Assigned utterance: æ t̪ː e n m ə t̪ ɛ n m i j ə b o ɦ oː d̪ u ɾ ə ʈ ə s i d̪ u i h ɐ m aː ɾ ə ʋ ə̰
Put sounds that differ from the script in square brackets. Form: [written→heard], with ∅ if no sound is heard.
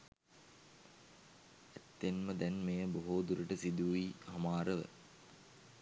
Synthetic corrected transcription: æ t̪ː e n m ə [t̪→d̪] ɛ n m [i→e] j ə b o ɦ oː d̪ u ɾ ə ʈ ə s i d̪ u i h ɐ m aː ɾ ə ʋ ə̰